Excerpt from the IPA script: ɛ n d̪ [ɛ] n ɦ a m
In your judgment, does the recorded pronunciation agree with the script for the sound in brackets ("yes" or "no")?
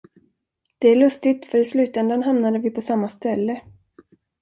no